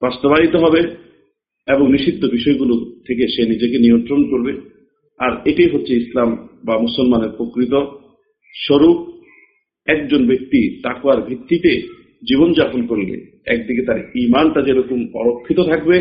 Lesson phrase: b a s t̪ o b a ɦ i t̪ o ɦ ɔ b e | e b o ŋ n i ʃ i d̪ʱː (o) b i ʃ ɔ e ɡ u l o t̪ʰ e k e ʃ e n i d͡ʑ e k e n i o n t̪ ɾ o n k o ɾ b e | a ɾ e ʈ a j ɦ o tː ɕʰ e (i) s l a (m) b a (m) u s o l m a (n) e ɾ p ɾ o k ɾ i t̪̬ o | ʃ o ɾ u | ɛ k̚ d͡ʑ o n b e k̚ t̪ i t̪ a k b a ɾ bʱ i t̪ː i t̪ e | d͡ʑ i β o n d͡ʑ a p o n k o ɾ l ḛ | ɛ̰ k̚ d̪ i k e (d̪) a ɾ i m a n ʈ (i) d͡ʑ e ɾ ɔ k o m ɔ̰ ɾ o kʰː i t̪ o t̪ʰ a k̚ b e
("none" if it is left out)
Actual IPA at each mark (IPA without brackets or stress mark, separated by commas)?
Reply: o, i, m, m, n, t̪, a